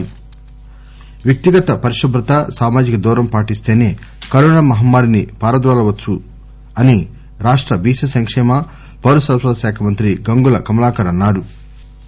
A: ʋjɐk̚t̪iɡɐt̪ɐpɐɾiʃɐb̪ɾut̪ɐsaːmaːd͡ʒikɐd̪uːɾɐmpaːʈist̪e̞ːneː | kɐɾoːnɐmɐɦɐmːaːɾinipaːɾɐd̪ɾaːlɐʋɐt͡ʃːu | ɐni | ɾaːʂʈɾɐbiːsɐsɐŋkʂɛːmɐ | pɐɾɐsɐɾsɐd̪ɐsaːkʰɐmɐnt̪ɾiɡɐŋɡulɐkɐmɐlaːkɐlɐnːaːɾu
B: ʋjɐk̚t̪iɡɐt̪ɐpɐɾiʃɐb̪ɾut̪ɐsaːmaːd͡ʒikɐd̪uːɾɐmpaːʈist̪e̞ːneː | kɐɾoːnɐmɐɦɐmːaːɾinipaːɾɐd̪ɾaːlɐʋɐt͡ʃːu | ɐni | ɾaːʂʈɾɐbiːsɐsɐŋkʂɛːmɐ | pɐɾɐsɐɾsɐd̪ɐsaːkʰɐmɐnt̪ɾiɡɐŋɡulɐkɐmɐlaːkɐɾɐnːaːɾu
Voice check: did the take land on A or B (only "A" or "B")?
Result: B